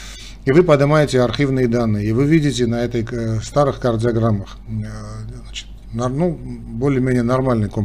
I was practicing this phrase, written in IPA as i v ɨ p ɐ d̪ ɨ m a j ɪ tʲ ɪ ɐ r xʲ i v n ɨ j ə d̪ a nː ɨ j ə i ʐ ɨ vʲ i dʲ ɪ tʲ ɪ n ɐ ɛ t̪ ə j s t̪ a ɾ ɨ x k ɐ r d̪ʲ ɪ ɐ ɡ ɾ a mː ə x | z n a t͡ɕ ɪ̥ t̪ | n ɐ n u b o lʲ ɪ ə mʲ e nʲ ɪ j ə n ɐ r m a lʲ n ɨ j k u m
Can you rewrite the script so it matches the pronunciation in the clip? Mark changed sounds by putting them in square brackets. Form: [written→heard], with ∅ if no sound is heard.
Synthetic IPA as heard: i v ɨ p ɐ d̪ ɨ m a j ɪ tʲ ɪ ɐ r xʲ i v n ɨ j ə d̪ a nː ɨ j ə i [ʐ→v] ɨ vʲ i dʲ ɪ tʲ ɪ n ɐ ɛ t̪ ə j s t̪ a ɾ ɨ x k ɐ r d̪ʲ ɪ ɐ ɡ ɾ a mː ə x | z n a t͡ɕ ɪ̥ t̪ | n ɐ n u b o lʲ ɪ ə mʲ e nʲ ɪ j ə n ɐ r m a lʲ n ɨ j k [u→o] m